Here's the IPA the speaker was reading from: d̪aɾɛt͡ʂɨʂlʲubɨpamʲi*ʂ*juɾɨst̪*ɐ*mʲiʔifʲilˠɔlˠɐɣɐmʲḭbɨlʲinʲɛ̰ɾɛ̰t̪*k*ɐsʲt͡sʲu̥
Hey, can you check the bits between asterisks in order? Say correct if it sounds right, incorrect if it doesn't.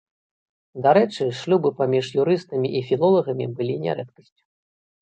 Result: correct, correct, correct

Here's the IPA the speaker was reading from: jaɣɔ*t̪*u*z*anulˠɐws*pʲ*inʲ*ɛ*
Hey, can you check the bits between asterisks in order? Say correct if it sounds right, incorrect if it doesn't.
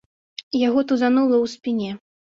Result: correct, correct, correct, correct

